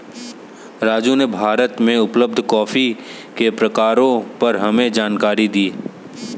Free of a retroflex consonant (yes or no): yes